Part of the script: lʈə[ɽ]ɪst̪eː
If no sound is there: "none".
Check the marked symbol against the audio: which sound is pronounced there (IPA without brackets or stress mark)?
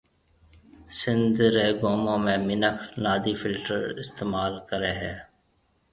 ɾ